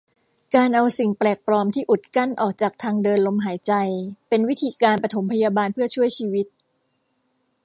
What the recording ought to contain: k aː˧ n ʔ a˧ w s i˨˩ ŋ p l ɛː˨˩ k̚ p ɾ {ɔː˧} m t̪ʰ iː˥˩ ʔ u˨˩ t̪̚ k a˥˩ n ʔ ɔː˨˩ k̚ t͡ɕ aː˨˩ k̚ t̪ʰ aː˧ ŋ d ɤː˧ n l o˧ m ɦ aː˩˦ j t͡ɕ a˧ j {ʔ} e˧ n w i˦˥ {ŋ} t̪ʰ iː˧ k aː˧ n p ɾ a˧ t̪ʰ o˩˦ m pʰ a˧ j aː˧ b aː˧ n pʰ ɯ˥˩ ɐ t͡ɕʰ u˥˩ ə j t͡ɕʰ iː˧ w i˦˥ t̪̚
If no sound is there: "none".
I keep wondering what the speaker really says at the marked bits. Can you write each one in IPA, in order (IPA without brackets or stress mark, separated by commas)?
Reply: ɔː˧, p, none